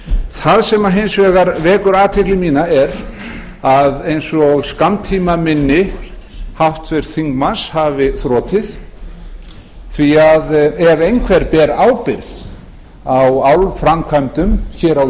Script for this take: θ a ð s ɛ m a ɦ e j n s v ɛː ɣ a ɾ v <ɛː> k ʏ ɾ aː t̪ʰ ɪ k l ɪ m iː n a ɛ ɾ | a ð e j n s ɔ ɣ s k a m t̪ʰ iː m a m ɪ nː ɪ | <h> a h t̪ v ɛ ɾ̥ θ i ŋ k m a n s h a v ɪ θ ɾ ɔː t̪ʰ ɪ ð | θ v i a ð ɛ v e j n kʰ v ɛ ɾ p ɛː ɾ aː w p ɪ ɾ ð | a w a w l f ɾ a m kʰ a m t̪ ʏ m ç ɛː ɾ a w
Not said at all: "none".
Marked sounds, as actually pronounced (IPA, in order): ɛː, h

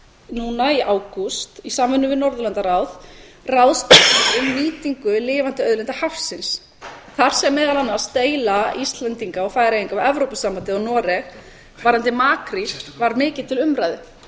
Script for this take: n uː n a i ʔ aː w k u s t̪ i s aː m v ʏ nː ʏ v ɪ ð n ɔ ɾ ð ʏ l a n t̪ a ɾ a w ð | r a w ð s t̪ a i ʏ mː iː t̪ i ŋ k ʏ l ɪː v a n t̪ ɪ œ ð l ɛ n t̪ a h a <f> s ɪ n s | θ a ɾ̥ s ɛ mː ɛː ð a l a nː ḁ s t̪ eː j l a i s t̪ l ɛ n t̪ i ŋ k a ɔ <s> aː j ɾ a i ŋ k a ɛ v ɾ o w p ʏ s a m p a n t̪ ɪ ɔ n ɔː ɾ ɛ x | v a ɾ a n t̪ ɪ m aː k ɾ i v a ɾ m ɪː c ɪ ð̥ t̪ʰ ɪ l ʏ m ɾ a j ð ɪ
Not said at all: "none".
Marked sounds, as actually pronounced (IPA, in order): f, f

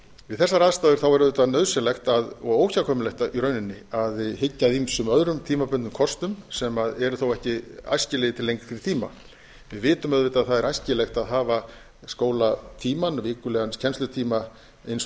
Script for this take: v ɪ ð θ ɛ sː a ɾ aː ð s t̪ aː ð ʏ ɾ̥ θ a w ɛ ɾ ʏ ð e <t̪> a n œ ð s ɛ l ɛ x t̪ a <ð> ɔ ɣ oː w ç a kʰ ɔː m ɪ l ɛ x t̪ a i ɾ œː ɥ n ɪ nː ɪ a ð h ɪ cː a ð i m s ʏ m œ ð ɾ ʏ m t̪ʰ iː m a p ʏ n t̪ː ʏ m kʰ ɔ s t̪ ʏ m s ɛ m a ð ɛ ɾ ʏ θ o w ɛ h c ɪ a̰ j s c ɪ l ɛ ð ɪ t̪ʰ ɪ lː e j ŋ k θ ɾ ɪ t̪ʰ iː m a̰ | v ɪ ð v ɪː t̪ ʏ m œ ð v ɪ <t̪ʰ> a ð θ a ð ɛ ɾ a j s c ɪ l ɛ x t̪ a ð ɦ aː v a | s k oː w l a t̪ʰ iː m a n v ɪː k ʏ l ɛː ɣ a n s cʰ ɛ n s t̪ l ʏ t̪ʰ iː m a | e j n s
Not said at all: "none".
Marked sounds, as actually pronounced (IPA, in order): t̪, ð, t̪

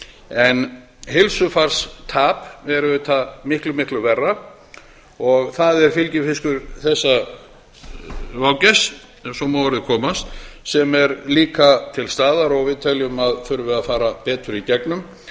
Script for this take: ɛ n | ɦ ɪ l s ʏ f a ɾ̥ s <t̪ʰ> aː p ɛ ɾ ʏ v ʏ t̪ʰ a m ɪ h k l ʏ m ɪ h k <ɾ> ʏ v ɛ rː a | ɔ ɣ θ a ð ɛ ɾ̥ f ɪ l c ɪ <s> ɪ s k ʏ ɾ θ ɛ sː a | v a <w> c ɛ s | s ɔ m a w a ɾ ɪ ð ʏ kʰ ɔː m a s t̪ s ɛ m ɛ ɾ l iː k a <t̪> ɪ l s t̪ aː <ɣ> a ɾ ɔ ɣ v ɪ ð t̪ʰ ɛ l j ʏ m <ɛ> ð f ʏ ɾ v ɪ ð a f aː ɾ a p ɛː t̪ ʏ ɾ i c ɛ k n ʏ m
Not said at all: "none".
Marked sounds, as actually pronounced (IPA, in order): t̪ʰ, l, f, w, t̪ʰ, ð, a

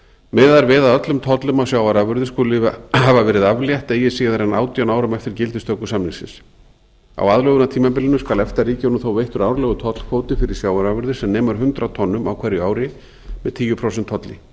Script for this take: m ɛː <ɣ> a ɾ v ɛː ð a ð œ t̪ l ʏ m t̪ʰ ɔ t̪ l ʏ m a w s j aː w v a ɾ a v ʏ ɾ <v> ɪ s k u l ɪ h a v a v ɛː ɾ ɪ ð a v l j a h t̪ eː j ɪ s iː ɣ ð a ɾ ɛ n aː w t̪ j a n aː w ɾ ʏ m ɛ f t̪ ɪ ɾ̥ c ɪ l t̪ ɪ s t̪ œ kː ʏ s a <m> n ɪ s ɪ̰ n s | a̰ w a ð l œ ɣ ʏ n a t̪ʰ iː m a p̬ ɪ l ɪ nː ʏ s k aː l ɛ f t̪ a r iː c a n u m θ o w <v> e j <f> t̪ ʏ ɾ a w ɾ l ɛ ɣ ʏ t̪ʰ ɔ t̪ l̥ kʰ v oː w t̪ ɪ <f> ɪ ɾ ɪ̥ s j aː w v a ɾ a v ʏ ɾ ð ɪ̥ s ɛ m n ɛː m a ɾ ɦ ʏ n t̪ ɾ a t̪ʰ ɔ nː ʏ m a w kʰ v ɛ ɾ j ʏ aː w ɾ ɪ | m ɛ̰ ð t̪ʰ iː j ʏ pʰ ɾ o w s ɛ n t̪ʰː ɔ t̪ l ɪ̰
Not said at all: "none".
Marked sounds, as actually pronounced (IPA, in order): ð, ð, m, v, h, f

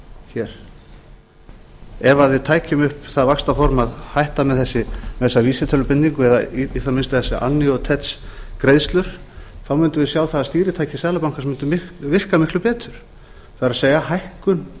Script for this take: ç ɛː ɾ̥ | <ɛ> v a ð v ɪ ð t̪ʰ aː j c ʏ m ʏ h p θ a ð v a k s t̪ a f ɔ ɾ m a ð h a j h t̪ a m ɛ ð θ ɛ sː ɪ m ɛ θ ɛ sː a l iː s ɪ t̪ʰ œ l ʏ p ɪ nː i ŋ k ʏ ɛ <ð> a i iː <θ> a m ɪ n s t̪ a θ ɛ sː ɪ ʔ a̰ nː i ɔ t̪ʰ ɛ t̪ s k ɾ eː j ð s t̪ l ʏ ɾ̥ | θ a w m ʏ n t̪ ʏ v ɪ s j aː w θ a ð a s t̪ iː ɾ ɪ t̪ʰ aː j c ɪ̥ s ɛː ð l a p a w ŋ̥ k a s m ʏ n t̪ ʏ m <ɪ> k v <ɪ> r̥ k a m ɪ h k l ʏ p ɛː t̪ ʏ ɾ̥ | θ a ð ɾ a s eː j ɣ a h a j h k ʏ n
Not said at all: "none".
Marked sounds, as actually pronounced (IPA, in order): ɛ, ð, θ, ɪ, ɪ

